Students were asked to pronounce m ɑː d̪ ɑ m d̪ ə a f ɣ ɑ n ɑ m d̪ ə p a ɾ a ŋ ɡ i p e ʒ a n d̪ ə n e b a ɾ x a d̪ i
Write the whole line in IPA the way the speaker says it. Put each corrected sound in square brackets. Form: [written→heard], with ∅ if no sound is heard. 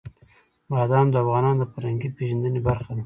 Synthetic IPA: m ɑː d̪ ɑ m d̪ ə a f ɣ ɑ n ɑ [m→n] d̪ ə p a ɾ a ŋ ɡ i p e ʒ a n d̪ ə n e b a ɾ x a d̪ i